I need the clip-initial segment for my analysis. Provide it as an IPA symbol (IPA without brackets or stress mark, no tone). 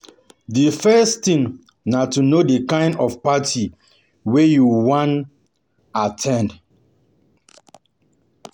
d